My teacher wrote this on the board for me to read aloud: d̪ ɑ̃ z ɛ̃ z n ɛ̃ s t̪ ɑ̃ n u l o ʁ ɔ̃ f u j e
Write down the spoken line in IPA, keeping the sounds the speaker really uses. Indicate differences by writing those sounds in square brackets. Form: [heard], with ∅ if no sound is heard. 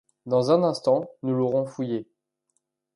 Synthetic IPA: d̪ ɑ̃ z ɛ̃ [∅] n ɛ̃ s t̪ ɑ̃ n u l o ʁ ɔ̃ f u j e